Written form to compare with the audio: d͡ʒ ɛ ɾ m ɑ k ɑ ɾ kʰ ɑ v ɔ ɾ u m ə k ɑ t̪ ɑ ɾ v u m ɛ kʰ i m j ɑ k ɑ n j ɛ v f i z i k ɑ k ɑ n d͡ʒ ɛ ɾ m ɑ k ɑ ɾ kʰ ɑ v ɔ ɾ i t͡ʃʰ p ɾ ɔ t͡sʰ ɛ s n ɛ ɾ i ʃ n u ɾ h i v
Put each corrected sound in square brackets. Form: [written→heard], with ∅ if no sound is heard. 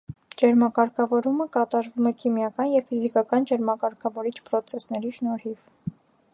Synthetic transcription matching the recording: d͡ʒ ɛ ɾ m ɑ k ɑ ɾ kʰ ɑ v ɔ ɾ u m ə k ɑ t̪ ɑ ɾ v u m ɛ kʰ i m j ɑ k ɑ n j ɛ v f i z i k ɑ k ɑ n d͡ʒ ɛ ɾ m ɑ k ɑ ɾ kʰ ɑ v ɔ ɾ i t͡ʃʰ p ɾ ɔ t͡sʰ ɛ s n ɛ ɾ i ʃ n [u→ɔ] ɾ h i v